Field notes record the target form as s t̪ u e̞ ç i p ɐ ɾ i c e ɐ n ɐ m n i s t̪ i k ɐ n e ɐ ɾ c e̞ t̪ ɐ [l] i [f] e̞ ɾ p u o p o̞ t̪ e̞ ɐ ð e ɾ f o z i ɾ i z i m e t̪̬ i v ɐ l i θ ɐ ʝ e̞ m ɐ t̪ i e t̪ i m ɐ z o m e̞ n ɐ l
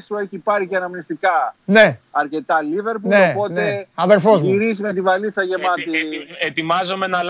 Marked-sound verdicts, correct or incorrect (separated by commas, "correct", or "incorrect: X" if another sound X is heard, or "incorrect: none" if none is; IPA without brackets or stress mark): correct, incorrect: v